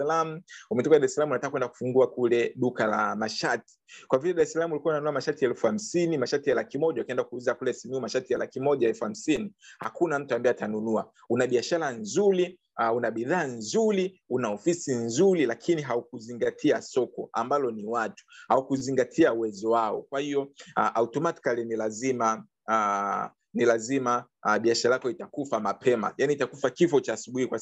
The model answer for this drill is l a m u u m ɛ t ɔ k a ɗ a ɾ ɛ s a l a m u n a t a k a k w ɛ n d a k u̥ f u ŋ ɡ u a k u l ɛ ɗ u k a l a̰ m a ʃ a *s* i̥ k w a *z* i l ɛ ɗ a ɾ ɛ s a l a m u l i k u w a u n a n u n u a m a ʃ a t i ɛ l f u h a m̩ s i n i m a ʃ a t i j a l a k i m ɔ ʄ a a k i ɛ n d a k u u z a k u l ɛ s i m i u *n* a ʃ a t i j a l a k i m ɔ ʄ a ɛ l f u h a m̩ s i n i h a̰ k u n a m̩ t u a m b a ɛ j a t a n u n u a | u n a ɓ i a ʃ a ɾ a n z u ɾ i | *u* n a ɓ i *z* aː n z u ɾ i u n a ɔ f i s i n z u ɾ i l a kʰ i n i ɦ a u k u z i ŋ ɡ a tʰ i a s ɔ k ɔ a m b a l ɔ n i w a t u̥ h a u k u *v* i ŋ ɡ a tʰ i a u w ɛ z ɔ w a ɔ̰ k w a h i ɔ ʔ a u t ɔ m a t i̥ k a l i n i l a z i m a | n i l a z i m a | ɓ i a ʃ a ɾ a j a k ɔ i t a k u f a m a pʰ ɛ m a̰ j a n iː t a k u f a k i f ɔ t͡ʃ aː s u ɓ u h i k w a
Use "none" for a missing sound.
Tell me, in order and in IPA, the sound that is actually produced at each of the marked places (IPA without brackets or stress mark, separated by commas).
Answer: t, v, m, u, ð, z